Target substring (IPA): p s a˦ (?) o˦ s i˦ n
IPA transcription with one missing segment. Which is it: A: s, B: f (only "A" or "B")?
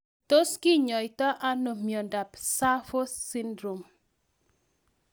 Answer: B